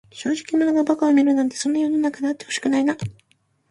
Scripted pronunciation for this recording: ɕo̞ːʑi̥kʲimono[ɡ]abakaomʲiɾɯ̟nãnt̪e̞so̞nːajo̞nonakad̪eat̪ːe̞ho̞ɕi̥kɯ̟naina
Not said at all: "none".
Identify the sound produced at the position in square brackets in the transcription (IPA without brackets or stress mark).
ɡ